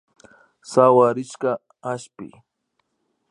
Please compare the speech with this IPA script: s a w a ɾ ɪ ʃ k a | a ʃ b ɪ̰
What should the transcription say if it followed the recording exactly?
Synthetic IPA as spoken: s a w a ɾ ɪ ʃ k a | a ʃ p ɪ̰